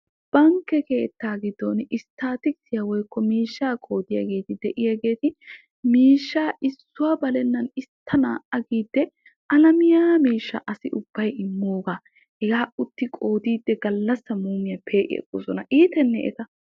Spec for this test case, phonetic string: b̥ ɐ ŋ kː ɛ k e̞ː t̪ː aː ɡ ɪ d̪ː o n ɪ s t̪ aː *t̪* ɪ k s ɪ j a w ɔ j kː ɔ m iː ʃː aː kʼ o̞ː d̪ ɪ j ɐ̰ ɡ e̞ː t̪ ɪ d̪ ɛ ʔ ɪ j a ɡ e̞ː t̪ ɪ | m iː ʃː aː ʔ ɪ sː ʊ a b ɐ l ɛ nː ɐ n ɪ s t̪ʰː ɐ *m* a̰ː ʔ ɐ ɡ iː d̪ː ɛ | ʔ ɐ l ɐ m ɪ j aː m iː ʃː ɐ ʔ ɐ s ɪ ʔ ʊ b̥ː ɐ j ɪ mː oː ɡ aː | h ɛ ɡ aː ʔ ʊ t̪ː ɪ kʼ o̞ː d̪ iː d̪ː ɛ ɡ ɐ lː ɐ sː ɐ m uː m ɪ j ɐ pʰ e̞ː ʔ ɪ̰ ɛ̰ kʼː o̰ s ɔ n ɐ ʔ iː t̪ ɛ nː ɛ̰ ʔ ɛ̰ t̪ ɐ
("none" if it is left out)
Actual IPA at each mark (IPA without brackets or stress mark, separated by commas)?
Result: t̪, n